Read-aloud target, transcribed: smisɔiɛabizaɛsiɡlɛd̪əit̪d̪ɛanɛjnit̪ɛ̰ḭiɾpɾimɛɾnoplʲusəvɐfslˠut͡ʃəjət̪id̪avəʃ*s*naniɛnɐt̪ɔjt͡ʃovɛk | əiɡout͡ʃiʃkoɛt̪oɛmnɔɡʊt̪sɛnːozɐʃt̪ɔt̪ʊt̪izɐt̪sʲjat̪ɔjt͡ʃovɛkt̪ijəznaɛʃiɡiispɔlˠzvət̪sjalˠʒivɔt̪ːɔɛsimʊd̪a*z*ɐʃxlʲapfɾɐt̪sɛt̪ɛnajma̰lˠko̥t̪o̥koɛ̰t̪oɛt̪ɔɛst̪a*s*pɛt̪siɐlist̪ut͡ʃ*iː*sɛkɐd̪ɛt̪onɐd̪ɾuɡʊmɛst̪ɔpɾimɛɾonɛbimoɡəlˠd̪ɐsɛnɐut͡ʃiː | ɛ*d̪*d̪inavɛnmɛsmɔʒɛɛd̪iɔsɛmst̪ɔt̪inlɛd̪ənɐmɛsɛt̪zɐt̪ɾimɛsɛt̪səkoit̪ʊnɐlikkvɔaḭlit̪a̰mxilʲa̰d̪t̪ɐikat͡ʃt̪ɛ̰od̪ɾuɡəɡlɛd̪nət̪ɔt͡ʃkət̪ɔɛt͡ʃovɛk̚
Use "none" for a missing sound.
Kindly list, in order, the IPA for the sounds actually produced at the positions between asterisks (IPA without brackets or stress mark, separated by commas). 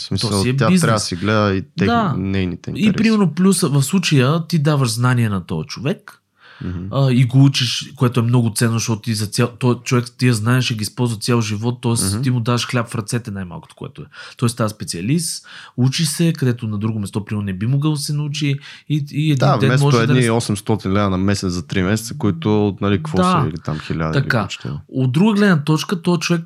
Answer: z, v, s, i, d̪